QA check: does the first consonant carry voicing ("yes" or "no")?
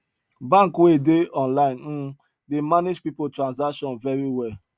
yes